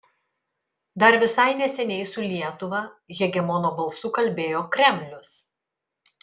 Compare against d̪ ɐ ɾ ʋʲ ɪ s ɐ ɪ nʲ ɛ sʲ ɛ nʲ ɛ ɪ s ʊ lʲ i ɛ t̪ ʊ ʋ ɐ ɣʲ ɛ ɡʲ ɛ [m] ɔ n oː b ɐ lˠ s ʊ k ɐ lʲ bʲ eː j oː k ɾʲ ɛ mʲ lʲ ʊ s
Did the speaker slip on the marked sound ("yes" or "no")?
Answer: no